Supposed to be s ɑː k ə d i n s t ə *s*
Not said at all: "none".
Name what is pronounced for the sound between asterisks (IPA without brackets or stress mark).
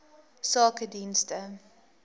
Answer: none